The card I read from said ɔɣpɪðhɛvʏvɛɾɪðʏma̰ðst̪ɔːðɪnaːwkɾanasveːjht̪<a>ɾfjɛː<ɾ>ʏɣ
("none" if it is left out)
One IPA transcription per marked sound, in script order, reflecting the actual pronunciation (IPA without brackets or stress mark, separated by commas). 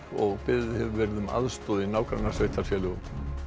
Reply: a, l